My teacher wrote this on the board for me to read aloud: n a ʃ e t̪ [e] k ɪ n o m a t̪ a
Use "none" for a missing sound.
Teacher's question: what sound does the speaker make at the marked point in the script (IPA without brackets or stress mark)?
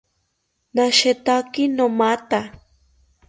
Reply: a